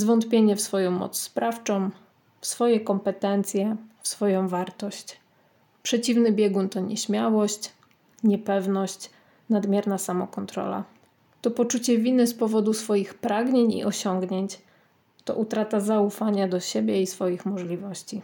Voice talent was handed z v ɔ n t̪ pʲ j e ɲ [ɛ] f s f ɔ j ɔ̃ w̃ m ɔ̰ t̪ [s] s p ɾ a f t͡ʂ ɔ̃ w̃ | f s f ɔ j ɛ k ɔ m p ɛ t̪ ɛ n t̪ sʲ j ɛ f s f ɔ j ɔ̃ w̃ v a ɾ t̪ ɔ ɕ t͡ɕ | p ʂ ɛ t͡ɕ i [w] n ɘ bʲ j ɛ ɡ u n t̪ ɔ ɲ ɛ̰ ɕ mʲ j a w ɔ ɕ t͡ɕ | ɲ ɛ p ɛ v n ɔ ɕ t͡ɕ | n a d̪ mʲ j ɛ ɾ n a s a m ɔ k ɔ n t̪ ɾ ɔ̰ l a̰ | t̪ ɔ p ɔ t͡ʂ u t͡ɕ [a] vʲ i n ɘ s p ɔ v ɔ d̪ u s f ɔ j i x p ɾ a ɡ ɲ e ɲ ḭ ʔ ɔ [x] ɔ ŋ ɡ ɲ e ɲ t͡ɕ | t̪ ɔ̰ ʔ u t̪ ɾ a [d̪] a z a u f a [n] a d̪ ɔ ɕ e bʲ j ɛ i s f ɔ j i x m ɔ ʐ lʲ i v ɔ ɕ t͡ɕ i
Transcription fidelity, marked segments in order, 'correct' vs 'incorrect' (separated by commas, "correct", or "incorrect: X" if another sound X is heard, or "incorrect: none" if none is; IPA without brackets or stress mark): correct, correct, incorrect: v, incorrect: ɛ, incorrect: ɕ, incorrect: t̪, incorrect: ɲ